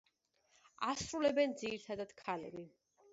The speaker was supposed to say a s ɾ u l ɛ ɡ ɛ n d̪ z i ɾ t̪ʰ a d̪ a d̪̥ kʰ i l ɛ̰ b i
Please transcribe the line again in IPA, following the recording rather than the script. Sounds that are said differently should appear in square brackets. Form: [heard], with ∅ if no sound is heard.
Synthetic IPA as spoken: a s ɾ u l ɛ [b] ɛ n d̪ z i ɾ t̪ʰ a d̪ a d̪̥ kʰ [a] l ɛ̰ b i